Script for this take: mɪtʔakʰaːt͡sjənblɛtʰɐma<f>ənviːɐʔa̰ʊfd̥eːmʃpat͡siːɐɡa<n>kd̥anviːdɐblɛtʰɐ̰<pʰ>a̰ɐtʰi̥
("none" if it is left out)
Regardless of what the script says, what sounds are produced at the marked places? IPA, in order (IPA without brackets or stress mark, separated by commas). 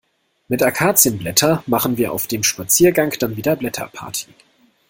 χ, ŋ, pʰ